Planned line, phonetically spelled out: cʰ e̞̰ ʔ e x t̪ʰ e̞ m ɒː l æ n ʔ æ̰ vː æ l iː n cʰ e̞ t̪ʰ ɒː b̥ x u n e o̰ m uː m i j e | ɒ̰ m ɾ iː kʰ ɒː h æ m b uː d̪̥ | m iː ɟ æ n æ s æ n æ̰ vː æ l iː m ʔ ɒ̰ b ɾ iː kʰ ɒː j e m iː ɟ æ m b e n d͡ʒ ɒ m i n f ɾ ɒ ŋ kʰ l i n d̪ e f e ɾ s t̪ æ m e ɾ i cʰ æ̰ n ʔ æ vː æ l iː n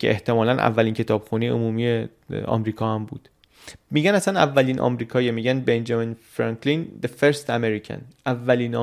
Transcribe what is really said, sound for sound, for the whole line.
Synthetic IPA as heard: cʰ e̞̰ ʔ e h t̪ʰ e̞ m ɒː l æ n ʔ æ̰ vː æ l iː n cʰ e̞ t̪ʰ ɒː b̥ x u n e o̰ m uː m i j e | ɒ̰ m ɾ iː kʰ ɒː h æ m b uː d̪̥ | m iː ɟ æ n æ s æ n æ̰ vː æ l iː n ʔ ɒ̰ m ɾ iː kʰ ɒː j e m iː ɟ æ n b e n d͡ʒ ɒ m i n f ɾ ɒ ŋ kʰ l i n d̪ e f e ɾ s t̪ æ m e ɾ i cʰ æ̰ n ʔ æ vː æ l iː n